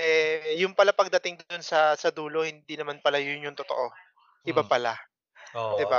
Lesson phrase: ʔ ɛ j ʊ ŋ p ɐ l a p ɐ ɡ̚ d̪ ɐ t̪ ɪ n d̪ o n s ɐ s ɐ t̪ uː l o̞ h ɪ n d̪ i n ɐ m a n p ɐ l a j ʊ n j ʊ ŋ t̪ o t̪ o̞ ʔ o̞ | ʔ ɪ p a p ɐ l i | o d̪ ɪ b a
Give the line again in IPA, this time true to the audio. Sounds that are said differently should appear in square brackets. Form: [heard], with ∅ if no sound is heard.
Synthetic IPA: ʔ ɛ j ʊ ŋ p ɐ l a p ɐ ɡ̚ d̪ ɐ t̪ ɪ [ŋ] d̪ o n s ɐ s ɐ [d̪] uː l o̞ h ɪ n d̪ i n ɐ m a n p ɐ l a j ʊ n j ʊ ŋ t̪ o t̪ o̞ ʔ o̞ | ʔ ɪ [b] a p ɐ l [a] | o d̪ ɪ b a